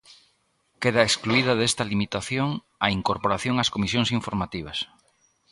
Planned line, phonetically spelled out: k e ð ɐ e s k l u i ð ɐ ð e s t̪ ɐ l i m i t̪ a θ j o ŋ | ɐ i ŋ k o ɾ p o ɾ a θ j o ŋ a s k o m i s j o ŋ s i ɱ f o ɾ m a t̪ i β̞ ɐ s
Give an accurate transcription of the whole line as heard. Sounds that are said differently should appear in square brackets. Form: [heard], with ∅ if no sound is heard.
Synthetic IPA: k e ð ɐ e s k l u i ð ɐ ð e s t̪ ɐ l i m i t̪ a θ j o ŋ | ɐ i ŋ k o ɾ p o ɾ a θ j o ŋ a s k o m i s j o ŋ s i ɱ f o ɾ m a t̪ i β̞ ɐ s

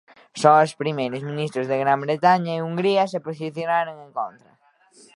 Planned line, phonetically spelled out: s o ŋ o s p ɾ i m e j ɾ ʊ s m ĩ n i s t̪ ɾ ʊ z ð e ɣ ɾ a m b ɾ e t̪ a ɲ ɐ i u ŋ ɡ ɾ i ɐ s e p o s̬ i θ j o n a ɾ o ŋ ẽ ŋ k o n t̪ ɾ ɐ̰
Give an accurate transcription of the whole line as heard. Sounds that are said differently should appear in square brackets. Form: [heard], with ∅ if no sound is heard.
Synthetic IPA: s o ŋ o s p ɾ i m e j ɾ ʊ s m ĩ n i s t̪ ɾ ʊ z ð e ɣ ɾ a m b ɾ e t̪ a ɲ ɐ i u ŋ ɡ ɾ i ɐ s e p o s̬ i θ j o n a ɾ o ŋ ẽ ŋ k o n t̪ ɾ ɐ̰

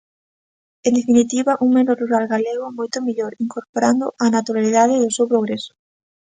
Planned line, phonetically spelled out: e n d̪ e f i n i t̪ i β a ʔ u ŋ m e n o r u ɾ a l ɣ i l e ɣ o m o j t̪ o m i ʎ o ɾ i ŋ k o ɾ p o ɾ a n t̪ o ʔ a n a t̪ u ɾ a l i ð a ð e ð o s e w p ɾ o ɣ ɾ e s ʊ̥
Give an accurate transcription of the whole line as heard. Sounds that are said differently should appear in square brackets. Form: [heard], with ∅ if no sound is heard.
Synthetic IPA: e n d̪ e f i n i t̪ i β a ʔ u ŋ m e n o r u ɾ a l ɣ [a] l e ɣ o m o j t̪ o m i ʎ o ɾ i ŋ k o ɾ p o ɾ a n [d̪] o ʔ a n a t̪ u ɾ a l i ð a ð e ð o s e w p ɾ o ɣ ɾ e s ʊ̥

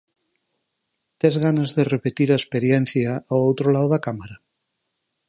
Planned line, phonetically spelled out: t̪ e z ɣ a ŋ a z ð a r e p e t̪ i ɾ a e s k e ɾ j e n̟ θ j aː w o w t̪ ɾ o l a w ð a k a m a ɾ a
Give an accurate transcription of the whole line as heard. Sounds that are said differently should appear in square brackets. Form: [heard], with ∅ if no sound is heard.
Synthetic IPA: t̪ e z ɣ a [n] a z ð [e] r e p e t̪ i ɾ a e s [p] e ɾ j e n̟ θ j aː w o w t̪ ɾ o l a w ð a k a m a ɾ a

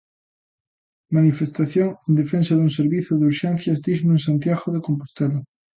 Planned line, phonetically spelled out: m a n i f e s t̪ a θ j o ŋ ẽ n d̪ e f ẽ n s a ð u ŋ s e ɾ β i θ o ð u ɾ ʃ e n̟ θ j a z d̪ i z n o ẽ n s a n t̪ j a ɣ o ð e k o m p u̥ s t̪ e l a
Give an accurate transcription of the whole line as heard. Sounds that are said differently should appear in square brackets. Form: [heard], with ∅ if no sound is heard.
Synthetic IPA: m a n i f e s t̪ a θ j o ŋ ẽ n d̪ e f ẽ n s a ð u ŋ s e ɾ β i θ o ð u ɾ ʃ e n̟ θ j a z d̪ i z n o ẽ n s a n t̪ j a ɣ o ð e k o m p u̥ s t̪ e l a

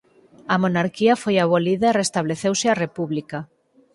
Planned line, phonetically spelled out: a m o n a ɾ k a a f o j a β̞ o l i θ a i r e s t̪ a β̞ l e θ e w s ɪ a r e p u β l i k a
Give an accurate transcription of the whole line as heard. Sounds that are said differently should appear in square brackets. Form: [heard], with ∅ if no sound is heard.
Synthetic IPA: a m o n a ɾ k [i] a f o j a β̞ o l i [ð] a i r e s t̪ a β̞ l e θ e w s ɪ a r e p u β l i k a

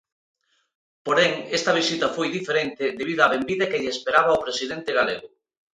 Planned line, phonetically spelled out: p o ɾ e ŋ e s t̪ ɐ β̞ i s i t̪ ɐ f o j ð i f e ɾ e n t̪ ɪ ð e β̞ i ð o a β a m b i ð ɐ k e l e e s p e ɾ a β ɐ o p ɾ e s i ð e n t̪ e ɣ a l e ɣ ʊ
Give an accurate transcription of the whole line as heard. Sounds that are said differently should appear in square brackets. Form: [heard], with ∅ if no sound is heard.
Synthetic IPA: p o ɾ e ŋ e s t̪ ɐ β̞ i s i t̪ ɐ f o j ð i f e ɾ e n t̪ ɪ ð e β̞ i ð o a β [e] m b i ð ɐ k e [ʎ] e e s p e ɾ a β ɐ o p ɾ e s i ð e n t̪ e ɣ a l e ɣ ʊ

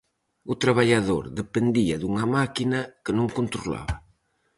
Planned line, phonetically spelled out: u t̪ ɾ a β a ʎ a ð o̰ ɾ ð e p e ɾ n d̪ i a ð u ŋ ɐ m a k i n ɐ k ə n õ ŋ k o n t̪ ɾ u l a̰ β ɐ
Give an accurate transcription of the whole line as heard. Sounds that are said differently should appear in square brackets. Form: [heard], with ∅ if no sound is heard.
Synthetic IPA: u t̪ ɾ a β a ʎ a ð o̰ ɾ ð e p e [∅] n d̪ i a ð u ŋ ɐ m a k i n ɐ k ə n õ ŋ k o n t̪ ɾ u l a̰ β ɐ

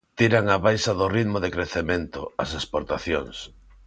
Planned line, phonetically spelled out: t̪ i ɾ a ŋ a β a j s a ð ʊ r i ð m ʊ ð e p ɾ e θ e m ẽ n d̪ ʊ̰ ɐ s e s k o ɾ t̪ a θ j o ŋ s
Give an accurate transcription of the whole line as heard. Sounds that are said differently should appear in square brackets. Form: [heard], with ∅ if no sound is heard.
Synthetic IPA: t̪ i ɾ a ŋ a β a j s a ð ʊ r i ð m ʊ ð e [k] ɾ e θ e m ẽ n [t̪] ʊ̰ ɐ s e s [p] o ɾ t̪ a θ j o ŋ s

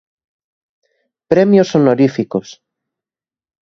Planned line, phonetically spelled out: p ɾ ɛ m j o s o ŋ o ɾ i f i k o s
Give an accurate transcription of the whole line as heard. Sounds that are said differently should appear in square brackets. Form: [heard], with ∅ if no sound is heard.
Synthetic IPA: p ɾ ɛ m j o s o [n] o ɾ i f i k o s

